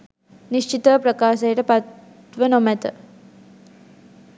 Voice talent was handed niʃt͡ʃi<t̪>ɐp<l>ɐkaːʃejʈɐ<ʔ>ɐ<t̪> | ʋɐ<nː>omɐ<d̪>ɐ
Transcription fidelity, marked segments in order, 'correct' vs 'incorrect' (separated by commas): correct, incorrect, incorrect, correct, incorrect, incorrect